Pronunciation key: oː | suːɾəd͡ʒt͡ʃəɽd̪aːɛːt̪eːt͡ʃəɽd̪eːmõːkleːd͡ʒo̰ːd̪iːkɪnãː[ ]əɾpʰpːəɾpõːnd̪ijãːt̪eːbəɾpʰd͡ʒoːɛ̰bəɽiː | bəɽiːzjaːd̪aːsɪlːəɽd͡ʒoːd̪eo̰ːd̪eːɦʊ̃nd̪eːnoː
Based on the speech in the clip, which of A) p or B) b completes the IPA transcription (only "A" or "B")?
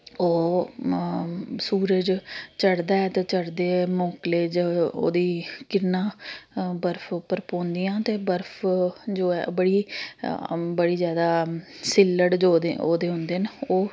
B